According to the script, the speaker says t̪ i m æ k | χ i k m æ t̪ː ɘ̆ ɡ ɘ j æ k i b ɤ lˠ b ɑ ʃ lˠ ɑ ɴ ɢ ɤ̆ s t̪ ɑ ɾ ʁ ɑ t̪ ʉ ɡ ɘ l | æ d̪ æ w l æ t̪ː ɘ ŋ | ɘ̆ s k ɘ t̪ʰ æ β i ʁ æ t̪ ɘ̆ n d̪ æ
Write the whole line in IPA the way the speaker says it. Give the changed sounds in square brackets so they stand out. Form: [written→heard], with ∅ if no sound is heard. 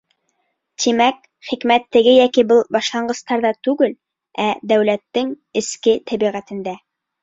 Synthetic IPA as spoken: t̪ i m æ k | χ i k m æ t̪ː ɘ̆ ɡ ɘ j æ k i b ɤ lˠ b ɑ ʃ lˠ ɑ ɴ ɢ ɤ̆ s t̪ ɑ ɾ [ʁ→ð] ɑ t̪ ʉ ɡ ɘ l | æ d̪ æ w l æ t̪ː ɘ ŋ | ɘ̆ s k ɘ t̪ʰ æ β i ʁ æ t̪ ɘ̆ n d̪ æ